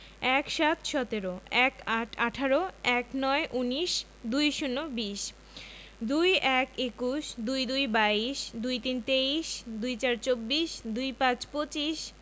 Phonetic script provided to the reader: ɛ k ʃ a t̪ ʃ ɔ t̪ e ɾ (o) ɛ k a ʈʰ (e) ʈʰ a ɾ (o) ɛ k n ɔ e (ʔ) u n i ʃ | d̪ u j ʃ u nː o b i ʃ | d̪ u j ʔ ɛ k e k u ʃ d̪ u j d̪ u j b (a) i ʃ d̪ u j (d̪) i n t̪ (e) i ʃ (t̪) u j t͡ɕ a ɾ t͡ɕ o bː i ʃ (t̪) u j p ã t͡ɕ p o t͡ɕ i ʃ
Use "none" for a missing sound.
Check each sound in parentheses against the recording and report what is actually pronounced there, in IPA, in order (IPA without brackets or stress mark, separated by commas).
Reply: o, a, o, ʔ, a, t̪, e, d̪, d̪